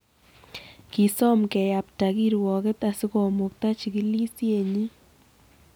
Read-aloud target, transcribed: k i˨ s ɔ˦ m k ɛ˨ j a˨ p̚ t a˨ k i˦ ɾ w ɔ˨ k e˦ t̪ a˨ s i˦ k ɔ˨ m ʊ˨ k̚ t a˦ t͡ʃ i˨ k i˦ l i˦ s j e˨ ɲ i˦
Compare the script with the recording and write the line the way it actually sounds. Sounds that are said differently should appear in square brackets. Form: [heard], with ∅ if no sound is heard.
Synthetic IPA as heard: k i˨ s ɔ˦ m k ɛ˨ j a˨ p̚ t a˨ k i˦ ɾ w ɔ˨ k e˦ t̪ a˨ s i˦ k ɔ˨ m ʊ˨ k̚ t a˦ t͡ʃ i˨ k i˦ l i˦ s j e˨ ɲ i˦